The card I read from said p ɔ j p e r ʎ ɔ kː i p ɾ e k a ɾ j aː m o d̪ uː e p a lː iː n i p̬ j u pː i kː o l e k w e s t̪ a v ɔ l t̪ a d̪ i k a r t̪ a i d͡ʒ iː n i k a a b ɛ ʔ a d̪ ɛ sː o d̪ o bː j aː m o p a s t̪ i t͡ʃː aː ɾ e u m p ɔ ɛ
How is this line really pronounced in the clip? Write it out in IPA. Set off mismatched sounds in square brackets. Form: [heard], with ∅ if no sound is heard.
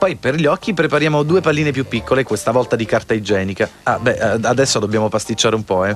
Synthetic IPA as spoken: p ɔ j p e r ʎ ɔ kː i p ɾ e [p] a ɾ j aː m o d̪ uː e p a lː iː n [e] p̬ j u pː i kː o l e k w e s t̪ a v ɔ l t̪ a d̪ i k a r t̪ a i d͡ʒ [ɛː] n i k a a b ɛ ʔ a d̪ ɛ sː o d̪ o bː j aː m o p a s t̪ i t͡ʃː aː ɾ e u m p ɔ ɛ